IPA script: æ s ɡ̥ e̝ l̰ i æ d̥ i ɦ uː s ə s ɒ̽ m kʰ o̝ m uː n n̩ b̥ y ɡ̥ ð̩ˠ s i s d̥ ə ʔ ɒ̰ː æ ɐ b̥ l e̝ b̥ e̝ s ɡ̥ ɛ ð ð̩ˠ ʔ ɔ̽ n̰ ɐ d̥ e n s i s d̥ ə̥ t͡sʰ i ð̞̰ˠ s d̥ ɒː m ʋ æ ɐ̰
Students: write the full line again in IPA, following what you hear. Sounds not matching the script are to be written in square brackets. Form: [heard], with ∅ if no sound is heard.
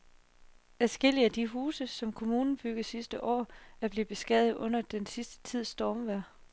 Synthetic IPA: æ s ɡ̥ e̝ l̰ i æ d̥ i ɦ uː s ə s ɒ̽ m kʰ o̝ m uː n n̩ b̥ y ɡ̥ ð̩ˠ s i s d̥ ə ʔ ɒ̰ː æ ɐ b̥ l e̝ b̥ e̝ s ɡ̥ ɛ ð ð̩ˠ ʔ ɔ̽ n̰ ɐ d̥ e n s i s d̥ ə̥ t͡sʰ i ð̞̰ˠ s d̥ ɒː m ʋ æ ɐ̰